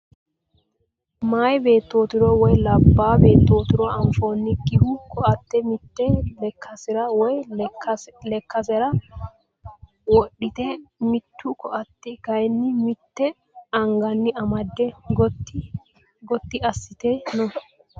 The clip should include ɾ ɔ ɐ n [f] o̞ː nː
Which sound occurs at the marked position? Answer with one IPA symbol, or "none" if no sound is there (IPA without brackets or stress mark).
f